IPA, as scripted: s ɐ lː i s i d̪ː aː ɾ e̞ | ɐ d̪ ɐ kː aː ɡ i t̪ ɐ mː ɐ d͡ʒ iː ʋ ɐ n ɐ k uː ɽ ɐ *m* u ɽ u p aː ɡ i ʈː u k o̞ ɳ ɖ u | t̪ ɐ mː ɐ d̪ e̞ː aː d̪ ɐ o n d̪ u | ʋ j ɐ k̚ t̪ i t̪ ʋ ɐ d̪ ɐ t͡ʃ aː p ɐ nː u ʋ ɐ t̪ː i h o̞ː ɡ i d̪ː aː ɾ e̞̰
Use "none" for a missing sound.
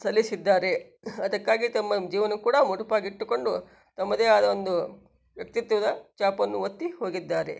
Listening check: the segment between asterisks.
m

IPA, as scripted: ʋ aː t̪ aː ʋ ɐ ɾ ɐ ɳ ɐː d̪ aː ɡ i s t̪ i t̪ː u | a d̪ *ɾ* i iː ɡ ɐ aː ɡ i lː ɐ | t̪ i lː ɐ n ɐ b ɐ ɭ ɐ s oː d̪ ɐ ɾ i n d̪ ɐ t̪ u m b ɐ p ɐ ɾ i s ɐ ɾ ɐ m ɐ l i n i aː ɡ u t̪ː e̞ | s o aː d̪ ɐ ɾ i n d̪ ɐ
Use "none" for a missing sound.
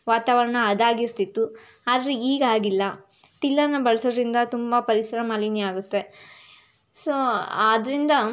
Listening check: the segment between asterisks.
ɾ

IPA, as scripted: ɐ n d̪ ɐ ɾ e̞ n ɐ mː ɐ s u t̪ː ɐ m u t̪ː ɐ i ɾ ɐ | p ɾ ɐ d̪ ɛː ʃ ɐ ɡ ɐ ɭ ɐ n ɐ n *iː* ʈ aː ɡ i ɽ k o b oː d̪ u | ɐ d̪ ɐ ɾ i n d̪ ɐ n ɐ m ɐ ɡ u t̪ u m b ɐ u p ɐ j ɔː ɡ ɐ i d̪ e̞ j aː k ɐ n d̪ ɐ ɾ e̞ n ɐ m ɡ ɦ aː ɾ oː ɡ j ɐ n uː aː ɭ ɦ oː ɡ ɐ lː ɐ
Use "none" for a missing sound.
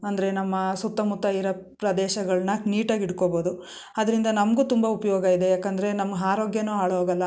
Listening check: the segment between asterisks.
iː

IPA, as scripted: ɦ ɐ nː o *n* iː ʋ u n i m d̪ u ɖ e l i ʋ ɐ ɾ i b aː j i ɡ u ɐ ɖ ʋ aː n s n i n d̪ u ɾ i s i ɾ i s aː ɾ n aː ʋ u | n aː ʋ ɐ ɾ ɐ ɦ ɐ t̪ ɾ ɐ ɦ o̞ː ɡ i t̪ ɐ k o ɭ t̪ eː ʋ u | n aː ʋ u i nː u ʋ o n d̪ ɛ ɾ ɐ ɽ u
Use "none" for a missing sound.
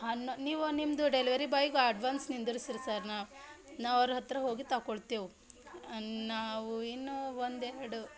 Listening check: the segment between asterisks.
n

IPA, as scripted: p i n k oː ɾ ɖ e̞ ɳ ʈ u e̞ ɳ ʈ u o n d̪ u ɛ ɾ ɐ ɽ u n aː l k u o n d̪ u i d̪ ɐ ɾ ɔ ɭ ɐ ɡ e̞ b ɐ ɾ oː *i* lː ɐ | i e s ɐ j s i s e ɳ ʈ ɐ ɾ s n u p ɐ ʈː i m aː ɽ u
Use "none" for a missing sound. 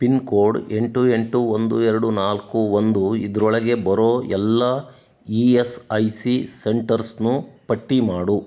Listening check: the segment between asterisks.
ɛ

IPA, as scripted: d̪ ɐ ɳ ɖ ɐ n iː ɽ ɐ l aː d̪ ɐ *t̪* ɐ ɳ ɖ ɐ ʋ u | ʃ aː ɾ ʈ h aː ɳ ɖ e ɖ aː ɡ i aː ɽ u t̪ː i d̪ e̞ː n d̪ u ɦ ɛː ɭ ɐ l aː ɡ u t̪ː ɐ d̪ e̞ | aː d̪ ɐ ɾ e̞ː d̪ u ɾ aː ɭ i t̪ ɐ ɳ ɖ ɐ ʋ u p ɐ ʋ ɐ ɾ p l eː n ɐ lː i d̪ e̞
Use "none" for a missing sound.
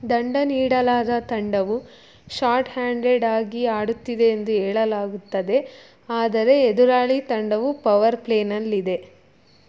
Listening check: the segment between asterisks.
t̪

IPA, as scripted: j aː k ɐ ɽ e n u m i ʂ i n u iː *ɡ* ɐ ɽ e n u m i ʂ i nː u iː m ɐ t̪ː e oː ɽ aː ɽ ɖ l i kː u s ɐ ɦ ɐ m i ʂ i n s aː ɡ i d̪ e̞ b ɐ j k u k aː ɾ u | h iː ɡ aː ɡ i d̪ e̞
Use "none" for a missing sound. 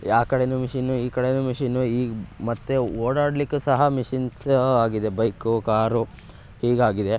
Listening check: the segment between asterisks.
k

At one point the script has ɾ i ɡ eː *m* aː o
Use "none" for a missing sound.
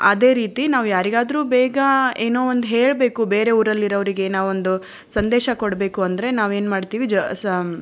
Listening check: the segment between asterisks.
n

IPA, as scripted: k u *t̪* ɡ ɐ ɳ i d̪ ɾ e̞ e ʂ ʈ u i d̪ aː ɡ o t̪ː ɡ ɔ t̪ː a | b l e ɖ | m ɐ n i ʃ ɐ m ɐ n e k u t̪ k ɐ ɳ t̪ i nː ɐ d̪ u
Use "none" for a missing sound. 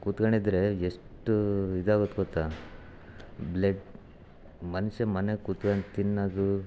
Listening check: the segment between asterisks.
t̪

